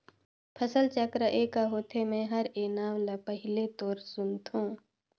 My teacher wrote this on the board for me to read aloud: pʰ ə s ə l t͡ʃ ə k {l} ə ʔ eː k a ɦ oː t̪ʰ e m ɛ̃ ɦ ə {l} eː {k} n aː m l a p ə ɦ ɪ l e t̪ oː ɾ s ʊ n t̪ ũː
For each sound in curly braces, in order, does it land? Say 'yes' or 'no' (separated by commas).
no, no, no